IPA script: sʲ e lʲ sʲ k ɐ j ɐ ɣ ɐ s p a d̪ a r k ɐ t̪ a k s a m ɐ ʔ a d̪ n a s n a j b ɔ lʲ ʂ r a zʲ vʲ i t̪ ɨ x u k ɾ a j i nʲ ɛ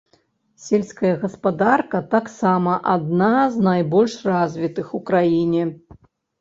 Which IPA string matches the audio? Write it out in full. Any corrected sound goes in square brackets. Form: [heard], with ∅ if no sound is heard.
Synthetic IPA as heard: sʲ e lʲ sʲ k ɐ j ɐ ɣ ɐ s p a d̪ a r k ɐ t̪ a k s a m ɐ ʔ a d̪ n a [z] n a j b ɔ lʲ ʂ r a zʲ vʲ i t̪ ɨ x u k ɾ a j i nʲ ɛ